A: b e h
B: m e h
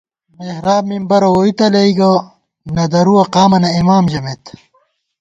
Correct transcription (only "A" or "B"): B